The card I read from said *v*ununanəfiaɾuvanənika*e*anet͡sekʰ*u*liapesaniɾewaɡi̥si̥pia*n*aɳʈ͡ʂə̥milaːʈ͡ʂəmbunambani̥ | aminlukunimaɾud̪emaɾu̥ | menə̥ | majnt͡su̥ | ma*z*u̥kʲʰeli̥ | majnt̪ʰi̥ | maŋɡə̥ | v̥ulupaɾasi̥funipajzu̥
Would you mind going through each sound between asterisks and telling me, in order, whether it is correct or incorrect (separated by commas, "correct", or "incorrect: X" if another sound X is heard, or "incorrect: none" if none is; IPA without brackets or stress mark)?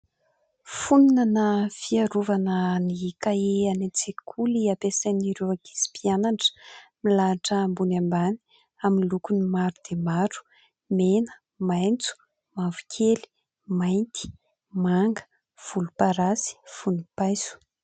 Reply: incorrect: f, correct, correct, correct, incorrect: v